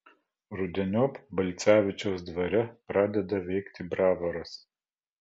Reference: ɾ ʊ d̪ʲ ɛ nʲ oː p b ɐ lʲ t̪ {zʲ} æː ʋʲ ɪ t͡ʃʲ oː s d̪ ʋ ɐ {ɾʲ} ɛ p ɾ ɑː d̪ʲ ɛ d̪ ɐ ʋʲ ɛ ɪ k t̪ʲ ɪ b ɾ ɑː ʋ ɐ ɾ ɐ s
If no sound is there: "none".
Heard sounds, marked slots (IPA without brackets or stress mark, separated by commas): sʲ, ɾʲ